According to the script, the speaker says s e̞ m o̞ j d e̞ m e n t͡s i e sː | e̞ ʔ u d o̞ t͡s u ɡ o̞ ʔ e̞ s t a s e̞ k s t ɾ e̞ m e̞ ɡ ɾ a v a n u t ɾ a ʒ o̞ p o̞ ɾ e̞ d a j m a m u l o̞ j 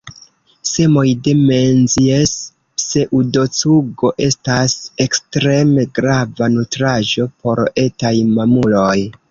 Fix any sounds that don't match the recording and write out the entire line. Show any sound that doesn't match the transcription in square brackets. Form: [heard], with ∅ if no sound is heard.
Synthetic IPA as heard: s e̞ m o̞ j d e̞ m e n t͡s i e sː | e̞ ʔ u d o̞ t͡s u ɡ o̞ ʔ e̞ s t a s e̞ k s t ɾ e̞ m e̞ ɡ ɾ a v a n u t ɾ a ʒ o̞ p o̞ ɾ e̞ [t] a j m a m u l o̞ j